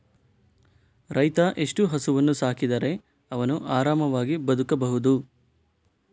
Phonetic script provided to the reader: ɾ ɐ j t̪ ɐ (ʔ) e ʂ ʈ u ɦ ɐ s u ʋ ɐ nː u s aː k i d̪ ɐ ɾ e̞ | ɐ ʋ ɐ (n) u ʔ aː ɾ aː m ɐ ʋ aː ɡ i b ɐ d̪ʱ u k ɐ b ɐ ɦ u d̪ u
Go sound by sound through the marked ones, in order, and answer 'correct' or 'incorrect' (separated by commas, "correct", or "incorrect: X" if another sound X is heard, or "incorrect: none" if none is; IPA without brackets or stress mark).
correct, correct